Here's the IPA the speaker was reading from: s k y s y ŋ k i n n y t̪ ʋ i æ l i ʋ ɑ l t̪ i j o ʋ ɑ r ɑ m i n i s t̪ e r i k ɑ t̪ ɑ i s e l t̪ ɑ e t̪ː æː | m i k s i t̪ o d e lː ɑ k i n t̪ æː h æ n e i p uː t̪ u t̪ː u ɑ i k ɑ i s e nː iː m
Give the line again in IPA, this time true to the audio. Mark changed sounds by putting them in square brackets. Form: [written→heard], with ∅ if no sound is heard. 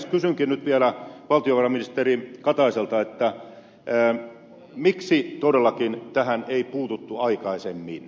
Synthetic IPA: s k y s y ŋ k i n n y t̪ ʋ i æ l [i→æ] ʋ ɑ l t̪ i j o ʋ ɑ r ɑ m i n i s t̪ e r i k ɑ t̪ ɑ i s e l t̪ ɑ e t̪ː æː | m i k s i t̪ o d e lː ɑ k i n t̪ [æː→æ] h æ n e i p uː t̪ u t̪ː u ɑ i k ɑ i s e [nː→mː] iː [m→n]